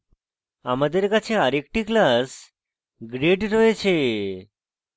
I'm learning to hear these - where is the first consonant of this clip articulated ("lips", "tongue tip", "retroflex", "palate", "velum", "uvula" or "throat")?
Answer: lips